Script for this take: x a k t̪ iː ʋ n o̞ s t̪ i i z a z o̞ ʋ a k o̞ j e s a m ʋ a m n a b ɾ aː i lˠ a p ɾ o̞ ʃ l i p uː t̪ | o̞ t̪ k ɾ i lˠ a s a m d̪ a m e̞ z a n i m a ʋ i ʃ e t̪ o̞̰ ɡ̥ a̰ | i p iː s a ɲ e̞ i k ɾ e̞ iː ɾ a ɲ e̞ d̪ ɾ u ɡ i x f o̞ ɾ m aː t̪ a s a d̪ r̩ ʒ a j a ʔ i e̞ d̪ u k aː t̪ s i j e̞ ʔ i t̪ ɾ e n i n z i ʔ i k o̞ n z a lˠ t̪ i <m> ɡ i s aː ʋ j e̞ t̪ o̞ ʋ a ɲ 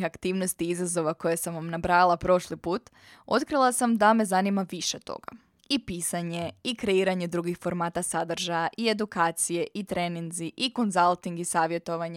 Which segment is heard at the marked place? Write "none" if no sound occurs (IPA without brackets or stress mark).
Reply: ŋ